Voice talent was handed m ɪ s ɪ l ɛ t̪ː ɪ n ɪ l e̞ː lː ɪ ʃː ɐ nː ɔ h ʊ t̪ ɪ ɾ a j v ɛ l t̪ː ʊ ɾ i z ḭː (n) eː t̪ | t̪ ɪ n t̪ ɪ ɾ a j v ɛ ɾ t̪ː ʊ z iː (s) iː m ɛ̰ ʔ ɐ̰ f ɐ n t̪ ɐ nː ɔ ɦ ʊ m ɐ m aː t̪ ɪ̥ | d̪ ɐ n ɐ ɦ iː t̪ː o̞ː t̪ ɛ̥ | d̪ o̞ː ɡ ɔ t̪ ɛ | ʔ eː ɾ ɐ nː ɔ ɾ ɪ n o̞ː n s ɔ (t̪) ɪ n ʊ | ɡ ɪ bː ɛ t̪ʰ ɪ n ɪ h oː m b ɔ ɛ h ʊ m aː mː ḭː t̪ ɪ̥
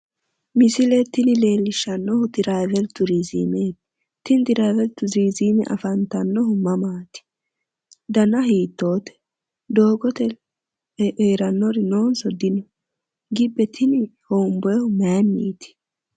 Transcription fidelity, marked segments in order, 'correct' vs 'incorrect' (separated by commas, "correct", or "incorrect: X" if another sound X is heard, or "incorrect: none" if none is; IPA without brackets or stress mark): incorrect: m, incorrect: z, incorrect: d̪